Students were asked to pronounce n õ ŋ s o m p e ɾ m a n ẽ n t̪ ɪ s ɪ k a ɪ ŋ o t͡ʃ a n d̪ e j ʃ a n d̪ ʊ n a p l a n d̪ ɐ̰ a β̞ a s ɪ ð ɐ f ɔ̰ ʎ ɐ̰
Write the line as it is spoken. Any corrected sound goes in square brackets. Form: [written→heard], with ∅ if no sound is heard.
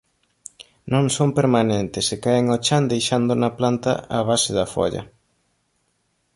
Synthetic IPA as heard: n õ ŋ s o m p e ɾ m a n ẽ n t̪ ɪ s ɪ k a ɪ ŋ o t͡ʃ a n d̪ e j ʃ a n d̪ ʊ n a p l a n [d̪→t̪] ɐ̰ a β̞ a s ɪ ð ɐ f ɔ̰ ʎ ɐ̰

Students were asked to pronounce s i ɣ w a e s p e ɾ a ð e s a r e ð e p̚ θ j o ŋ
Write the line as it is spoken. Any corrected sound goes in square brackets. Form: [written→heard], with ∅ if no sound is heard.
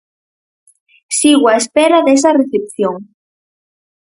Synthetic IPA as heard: s i ɣ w a e s p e ɾ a ð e s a r e [ð→θ] e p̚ θ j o ŋ

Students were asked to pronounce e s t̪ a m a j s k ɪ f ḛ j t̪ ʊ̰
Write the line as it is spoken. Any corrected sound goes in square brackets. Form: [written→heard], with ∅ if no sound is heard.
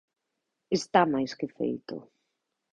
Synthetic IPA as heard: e s t̪ a m a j s k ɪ f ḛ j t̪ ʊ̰

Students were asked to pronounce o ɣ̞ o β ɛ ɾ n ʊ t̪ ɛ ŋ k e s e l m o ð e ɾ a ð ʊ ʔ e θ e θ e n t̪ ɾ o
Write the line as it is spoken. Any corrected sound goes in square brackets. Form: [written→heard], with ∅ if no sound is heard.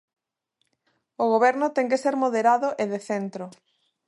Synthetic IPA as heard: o ɣ̞ o β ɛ ɾ n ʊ t̪ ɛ ŋ k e s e [l→ɾ] m o ð e ɾ a ð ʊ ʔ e [θ→ð] e θ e n t̪ ɾ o

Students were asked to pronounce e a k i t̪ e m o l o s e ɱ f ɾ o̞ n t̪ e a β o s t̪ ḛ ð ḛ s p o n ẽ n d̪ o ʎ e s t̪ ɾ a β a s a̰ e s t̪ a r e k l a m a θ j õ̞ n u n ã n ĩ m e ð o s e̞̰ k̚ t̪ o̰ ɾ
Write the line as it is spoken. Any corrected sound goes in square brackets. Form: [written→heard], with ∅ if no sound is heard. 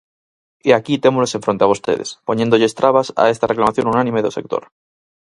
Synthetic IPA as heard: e a k i t̪ e m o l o s e ɱ f ɾ o̞ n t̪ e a β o s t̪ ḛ ð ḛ s p o [n→ɲ] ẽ n d̪ o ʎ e s t̪ ɾ a β a s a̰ e s t̪ a r e k l a m a θ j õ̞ n u n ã n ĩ m e ð o s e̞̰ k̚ t̪ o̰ ɾ

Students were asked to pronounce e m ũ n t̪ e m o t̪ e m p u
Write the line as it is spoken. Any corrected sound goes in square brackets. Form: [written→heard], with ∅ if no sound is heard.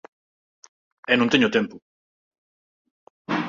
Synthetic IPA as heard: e [m→n] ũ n t̪ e [m→ɲ] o t̪ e m p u

